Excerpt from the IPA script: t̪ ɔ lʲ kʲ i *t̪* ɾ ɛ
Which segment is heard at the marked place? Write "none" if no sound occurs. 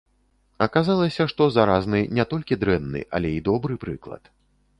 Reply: d̪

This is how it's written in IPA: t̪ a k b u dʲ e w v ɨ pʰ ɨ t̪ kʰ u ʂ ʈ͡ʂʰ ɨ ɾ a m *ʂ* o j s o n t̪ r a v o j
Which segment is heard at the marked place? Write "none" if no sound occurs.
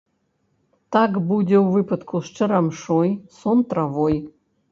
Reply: ʂ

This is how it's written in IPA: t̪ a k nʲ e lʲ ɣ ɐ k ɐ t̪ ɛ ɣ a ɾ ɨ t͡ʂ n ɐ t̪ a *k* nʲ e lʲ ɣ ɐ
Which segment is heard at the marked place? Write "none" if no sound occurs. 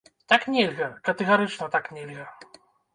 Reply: k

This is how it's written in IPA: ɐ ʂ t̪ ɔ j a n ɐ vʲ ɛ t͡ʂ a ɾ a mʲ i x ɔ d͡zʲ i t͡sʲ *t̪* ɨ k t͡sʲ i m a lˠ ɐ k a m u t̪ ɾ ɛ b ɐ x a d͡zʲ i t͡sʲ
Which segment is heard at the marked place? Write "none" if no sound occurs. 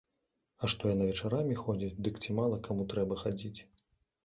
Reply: d̪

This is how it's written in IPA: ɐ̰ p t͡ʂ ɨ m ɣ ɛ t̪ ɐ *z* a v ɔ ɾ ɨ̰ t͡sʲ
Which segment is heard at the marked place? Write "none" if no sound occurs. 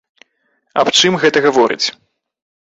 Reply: ɣ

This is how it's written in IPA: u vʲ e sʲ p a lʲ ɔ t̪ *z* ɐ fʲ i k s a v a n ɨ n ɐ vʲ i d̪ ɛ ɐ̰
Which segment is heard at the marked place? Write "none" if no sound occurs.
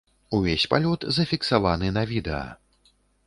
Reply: z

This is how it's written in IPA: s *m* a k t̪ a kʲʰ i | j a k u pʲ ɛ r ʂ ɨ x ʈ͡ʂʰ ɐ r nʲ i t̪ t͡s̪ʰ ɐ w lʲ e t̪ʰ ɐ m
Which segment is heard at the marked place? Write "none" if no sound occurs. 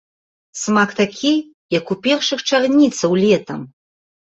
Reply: m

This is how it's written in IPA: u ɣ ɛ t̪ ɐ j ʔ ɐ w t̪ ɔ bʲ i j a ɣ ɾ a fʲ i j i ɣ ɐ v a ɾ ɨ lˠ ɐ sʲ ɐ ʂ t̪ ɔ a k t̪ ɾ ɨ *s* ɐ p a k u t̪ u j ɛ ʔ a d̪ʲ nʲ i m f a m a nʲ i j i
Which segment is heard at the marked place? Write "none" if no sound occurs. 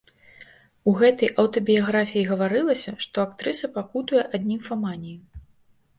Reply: s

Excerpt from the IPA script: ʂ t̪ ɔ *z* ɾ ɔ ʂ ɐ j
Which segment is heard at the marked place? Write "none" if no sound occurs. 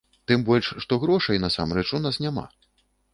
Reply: ɣ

